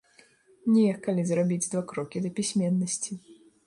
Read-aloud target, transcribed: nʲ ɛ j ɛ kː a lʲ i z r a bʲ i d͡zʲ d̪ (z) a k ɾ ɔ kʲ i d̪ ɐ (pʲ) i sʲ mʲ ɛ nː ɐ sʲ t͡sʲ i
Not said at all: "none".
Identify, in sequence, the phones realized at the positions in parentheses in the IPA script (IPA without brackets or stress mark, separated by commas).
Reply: v, pʲ